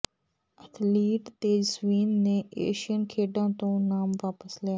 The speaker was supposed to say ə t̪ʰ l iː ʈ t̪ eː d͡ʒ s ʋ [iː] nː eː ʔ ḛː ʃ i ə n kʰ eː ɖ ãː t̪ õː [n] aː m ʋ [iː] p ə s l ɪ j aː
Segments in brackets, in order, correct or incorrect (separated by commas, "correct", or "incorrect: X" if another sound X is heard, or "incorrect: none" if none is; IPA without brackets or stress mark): correct, correct, incorrect: aː